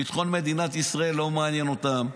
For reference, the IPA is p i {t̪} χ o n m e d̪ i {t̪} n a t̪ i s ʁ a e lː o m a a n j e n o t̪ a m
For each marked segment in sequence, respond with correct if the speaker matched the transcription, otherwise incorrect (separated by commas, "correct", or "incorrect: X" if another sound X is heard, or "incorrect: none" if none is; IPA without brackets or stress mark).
correct, incorrect: none